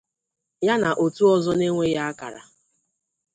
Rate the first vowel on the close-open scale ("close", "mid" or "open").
open